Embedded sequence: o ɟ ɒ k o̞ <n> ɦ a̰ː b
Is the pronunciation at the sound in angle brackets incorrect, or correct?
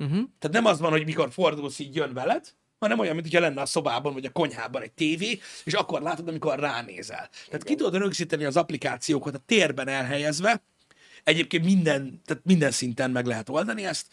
incorrect